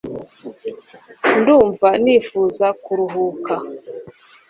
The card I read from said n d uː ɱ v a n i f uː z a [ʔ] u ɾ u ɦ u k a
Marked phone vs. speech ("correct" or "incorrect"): incorrect